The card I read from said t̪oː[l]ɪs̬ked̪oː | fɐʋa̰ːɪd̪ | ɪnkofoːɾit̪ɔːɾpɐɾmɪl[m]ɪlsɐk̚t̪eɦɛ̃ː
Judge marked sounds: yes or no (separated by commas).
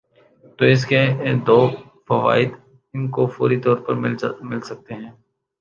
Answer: no, yes